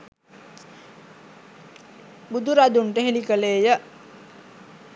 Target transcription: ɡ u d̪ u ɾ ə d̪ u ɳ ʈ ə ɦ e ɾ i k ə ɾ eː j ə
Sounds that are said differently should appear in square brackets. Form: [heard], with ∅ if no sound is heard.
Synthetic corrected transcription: [b] u d̪ u ɾ [a] d̪ u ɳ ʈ ə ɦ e [l] i k ə [l] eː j ə